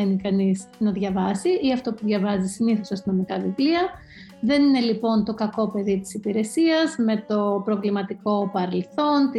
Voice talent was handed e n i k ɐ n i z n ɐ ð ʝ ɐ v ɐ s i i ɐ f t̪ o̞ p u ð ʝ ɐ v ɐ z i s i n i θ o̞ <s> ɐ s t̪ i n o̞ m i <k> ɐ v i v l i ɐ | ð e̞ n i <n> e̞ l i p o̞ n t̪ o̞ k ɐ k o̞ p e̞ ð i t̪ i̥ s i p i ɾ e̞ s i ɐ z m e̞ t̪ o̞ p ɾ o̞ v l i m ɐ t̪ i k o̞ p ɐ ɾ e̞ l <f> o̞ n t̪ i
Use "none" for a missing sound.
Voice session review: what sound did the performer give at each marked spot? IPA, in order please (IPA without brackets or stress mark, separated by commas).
s, k, n, θ